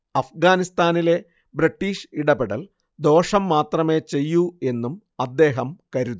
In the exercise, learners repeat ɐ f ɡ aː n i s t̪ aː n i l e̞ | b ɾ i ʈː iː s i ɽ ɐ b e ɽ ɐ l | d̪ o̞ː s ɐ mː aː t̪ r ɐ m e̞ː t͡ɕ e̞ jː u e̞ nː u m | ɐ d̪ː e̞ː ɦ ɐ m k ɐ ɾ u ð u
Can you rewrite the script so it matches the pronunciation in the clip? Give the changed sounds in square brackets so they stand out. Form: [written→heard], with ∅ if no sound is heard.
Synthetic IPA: ɐ f ɡ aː n i s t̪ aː n i l e̞ | b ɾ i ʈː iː [s→ʂ] i ɽ ɐ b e ɽ ɐ l | d̪ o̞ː [s→ʂ] ɐ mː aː t̪ r ɐ m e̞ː t͡ɕ e̞ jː u e̞ nː u m | ɐ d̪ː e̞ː ɦ ɐ m k ɐ ɾ u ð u